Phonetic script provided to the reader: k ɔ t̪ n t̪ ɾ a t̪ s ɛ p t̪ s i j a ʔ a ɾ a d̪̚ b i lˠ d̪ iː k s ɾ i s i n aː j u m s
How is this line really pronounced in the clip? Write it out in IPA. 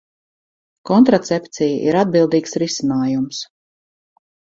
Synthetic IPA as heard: k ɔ n t̪ ɾ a t̪ s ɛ p t̪ s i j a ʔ i ɾ a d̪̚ b i lˠ d̪ iː k s ɾ i s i n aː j u m s